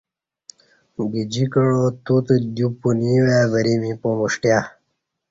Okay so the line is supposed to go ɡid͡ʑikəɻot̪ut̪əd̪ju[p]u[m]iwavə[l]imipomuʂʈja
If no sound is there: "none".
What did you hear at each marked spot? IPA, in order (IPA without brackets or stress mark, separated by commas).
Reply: p, n, ɾ